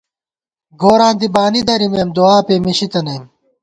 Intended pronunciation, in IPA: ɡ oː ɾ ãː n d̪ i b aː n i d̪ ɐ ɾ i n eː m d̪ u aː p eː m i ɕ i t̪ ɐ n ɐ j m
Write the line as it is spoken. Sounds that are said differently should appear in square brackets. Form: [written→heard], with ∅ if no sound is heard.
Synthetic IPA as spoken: ɡ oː ɾ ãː n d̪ i b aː n i d̪ ɐ ɾ i [n→m] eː m d̪ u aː p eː m i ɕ i t̪ ɐ n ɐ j m